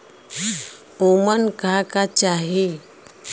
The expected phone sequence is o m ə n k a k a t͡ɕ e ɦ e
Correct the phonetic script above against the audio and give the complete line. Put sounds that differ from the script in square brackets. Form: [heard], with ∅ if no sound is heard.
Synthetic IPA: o m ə n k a k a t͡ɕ [a] ɦ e